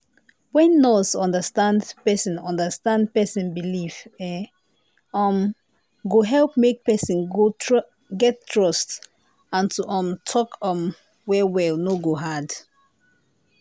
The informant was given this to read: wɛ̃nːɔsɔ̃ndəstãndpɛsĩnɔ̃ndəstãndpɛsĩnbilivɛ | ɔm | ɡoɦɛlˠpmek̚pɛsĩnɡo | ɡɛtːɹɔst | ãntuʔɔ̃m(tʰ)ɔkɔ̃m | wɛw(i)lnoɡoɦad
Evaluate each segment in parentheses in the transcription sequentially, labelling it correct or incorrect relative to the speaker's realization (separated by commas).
correct, incorrect